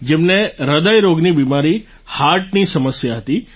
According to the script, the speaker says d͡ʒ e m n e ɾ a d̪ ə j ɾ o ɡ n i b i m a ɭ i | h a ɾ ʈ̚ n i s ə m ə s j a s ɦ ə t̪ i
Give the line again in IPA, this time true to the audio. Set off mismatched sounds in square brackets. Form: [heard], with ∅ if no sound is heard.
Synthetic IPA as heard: d͡ʒ e m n e ɾ [ə] d̪ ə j ɾ o ɡ n i b i m a [ɾ] i | h a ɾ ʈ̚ n i s ə m ə s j a [∅] ɦ ə t̪ i